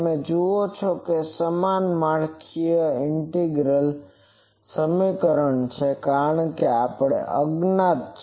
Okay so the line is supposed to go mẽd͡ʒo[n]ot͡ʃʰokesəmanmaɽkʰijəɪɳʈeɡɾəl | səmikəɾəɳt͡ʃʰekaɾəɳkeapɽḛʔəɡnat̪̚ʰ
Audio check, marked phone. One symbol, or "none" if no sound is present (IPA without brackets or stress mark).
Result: none